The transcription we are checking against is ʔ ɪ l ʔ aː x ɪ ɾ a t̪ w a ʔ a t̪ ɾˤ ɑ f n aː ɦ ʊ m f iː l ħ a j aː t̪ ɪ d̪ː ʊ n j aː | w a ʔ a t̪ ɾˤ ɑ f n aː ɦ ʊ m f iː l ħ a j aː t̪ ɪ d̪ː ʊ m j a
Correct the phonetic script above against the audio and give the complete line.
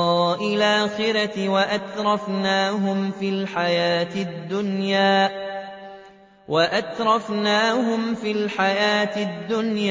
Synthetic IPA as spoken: ʔ ɪ l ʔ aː x ɪ ɾ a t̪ w a ʔ a t̪ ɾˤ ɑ f n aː ɦ ʊ m f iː l ħ a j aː t̪ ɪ d̪ː ʊ n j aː | w a ʔ a t̪ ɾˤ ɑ f n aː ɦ ʊ m f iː l ħ a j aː t̪ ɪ d̪ː ʊ n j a